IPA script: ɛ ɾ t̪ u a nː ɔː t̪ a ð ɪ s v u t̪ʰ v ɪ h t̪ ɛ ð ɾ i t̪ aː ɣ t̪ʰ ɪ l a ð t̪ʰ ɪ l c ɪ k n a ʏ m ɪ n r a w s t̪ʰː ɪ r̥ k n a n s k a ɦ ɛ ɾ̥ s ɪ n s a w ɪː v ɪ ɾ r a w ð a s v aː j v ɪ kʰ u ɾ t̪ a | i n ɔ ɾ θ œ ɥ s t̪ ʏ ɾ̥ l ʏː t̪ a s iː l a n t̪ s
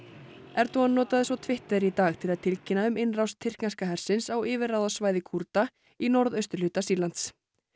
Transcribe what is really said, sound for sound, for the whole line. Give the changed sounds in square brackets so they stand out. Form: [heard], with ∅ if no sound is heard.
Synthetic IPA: ɛ ɾ t̪ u a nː ɔː t̪ a ð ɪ s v [ɔ] t̪ʰ v ɪ h t̪ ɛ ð ɾ i t̪ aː ɣ t̪ʰ ɪ l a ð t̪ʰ ɪ l c ɪ [∅] n a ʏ m ɪ n r a w s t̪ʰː ɪ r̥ k n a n s k a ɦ ɛ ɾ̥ s ɪ n s a w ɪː v ɪ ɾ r a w ð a s v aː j [ð] ɪ kʰ u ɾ t̪ a | i n ɔ ɾ [ð] œ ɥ s t̪ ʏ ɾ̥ l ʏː t̪ a s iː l a n t̪ s